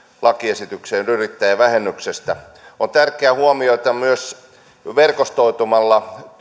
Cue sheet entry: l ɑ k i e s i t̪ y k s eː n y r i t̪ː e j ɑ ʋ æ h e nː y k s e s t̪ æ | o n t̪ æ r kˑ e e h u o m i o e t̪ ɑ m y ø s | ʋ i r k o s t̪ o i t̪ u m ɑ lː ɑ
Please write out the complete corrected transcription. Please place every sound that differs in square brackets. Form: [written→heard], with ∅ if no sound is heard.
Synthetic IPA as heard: l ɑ k i e s i t̪ y k s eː n y r i t̪ː [e→æ] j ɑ ʋ æ h e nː y k s e s t̪ æ | o n t̪ æ r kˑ e [e→æ] h u o m i o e t̪ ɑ m y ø s | ʋ [i→e] r k o s t̪ o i t̪ u m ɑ lː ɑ